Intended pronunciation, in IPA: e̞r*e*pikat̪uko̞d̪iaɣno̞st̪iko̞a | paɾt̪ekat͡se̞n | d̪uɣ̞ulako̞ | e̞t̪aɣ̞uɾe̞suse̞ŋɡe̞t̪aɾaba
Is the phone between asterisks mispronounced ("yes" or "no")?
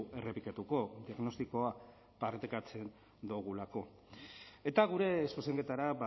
no